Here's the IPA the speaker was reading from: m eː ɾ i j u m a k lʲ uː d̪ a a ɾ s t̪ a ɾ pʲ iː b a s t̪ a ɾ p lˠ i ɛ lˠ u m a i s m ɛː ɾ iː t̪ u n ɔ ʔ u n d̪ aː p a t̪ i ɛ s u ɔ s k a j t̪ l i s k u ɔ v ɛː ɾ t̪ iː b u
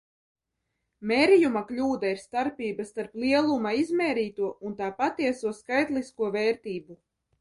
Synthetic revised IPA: m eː ɾ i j u m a k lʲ uː d̪ a i ɾ s t̪ a ɾ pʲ iː b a s t̪ a ɾ p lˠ i ɛ lˠ u m a i z m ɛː ɾ iː t̪ u ɔ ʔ u n t̪ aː p a t̪ i ɛ s u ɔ s k a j t̪ l i s k u ɔ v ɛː ɾ t̪ iː b u

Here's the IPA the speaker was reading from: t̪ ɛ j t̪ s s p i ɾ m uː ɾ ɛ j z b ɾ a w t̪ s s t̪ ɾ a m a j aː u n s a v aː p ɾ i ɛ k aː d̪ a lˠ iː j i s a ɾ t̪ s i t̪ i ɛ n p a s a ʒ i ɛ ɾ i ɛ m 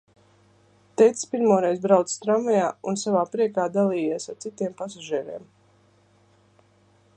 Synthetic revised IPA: t̪ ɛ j t̪ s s p i ɾ m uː ɾ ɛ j z b ɾ a w t̪ s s t̪ ɾ a m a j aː u n s a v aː p ɾ i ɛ k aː d̪ a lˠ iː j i s a ɾ t̪ s i t̪ i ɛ m p a s a ʒ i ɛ ɾ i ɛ m

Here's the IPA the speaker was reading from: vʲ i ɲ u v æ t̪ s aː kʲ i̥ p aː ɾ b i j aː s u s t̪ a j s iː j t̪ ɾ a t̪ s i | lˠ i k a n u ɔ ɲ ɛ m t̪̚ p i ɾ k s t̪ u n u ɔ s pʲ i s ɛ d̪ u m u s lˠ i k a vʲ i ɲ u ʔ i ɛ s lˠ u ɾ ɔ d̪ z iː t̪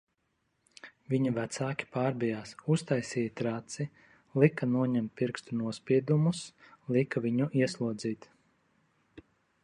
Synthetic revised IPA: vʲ i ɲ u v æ t̪ s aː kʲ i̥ p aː ɾ b i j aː s u s t̪ a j s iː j t̪ ɾ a t̪ s i | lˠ i k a n u ɔ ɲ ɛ m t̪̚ p i ɾ k s t̪ u n u ɔ s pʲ i ɛ d̪ u m u s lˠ i k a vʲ i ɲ u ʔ i ɛ s lˠ u ɔ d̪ z iː t̪

